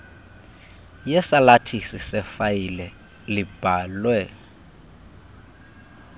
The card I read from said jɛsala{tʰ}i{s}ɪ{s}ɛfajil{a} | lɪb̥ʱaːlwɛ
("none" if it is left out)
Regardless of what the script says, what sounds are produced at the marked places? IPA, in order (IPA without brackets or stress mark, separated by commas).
tʰ, s, s, ɛ